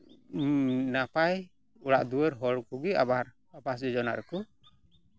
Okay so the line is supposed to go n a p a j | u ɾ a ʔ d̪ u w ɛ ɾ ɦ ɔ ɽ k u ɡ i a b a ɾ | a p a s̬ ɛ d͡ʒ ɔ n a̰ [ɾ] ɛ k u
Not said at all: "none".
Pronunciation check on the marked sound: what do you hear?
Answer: ɾ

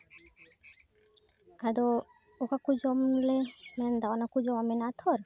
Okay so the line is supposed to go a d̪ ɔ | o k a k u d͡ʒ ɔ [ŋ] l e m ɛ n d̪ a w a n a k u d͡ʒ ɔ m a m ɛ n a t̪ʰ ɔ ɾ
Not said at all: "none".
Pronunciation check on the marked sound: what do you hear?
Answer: m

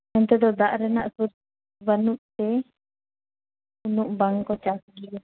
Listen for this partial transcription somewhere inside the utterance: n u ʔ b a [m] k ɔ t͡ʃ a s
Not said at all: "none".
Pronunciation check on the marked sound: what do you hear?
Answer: ŋ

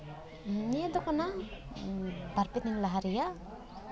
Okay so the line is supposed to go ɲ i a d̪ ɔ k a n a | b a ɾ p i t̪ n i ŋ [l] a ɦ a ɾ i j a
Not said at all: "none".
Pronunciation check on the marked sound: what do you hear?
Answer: l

